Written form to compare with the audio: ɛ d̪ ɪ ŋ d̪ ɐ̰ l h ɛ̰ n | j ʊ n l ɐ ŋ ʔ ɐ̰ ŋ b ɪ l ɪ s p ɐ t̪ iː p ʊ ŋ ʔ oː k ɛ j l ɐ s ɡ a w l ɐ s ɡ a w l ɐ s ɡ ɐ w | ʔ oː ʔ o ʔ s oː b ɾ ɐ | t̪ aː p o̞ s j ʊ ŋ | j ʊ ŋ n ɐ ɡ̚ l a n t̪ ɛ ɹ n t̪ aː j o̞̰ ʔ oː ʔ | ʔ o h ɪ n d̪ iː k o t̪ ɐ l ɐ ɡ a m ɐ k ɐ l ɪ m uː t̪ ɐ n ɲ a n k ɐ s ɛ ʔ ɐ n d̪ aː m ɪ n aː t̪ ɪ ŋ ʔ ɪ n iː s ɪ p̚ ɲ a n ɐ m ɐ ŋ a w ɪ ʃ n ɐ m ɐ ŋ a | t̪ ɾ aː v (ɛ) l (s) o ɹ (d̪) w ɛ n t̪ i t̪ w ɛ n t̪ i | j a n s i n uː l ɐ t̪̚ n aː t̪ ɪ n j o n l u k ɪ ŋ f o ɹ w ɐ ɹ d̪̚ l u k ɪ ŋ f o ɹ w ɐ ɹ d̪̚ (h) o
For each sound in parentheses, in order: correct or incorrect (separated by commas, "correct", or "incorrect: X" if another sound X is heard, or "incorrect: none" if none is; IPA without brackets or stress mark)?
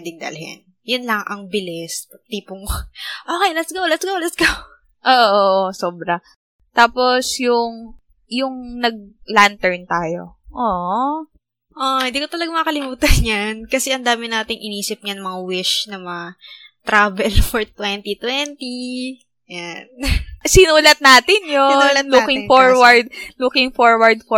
correct, incorrect: f, incorrect: t̪, incorrect: f